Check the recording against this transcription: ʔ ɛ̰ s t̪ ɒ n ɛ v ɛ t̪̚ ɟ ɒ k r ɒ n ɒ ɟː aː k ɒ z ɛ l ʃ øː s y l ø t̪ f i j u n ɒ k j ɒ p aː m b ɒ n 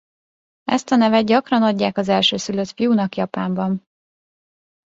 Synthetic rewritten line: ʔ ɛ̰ s t̪ ɒ n ɛ v ɛ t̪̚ ɟ ɒ k r ɒ n ɒ ɟː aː k ɒ z ɛ l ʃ øː s y l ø t̪ f i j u n ɒ k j ɒ p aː m b ɒ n